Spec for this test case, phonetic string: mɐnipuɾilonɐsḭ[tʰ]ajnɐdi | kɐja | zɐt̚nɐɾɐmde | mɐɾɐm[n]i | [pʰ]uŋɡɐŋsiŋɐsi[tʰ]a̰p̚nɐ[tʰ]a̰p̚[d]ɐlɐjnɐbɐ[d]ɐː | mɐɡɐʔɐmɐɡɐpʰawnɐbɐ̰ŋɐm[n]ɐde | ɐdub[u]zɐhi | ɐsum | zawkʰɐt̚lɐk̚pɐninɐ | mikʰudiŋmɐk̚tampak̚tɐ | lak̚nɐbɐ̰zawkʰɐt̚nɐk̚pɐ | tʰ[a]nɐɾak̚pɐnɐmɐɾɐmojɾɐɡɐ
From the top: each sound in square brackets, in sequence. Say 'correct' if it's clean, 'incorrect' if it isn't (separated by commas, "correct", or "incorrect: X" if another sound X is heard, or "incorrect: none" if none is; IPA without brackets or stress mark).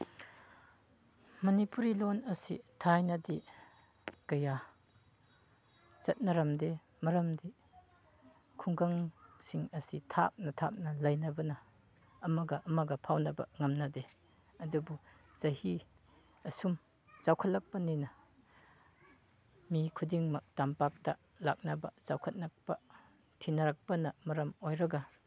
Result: correct, incorrect: d, incorrect: kʰ, correct, correct, incorrect: n, incorrect: n, correct, correct, incorrect: i